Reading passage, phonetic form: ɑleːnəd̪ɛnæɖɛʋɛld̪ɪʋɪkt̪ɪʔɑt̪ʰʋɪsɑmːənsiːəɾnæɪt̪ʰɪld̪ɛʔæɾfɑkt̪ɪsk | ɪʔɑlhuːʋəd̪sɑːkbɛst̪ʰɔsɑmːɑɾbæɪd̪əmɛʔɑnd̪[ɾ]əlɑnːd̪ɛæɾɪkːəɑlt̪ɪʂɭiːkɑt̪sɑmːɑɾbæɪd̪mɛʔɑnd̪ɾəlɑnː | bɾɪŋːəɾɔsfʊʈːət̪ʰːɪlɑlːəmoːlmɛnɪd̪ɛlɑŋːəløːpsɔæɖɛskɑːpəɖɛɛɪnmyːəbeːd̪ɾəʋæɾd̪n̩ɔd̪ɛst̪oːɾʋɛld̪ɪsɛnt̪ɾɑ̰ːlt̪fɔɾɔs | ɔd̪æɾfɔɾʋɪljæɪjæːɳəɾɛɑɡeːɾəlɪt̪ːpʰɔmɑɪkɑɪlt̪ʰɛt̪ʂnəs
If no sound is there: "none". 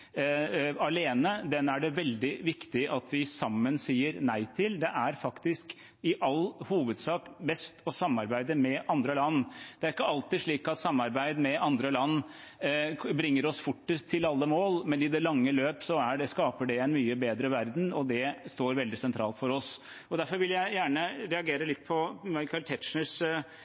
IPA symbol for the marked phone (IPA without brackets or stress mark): ɾ